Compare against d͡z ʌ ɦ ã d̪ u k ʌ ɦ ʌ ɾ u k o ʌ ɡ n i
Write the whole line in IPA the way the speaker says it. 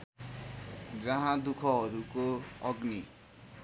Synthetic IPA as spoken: d͡z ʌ ɦ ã d̪ u kʰ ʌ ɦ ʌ ɾ u k o ʌ ɡ n i